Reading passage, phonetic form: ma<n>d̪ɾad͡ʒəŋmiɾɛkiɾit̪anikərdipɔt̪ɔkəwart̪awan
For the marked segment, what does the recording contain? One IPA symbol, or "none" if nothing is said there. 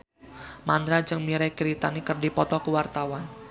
n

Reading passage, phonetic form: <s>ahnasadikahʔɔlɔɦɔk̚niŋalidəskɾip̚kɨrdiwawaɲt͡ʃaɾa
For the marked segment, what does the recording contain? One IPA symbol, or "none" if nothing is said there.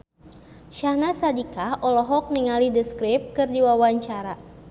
ʃ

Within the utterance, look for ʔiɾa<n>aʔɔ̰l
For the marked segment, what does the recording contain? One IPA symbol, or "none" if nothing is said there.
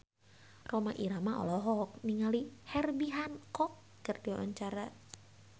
m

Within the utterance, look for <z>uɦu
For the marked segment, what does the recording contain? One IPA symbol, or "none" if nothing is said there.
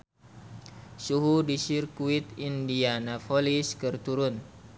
s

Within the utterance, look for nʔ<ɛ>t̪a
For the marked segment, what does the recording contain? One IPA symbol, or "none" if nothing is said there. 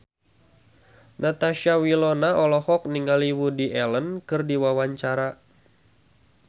a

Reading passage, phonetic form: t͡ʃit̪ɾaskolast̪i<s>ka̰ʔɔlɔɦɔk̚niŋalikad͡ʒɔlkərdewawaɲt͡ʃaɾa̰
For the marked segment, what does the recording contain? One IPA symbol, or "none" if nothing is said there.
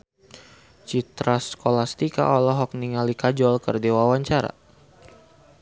none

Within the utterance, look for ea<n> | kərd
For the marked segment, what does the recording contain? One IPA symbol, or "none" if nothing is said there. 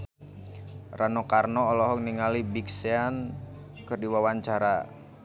n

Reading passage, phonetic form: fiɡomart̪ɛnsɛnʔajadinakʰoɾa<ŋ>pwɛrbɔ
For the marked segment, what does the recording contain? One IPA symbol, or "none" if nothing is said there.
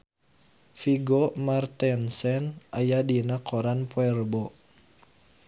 n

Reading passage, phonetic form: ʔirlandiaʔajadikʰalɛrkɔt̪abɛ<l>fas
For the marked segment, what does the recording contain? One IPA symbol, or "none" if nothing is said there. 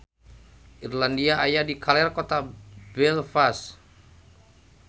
l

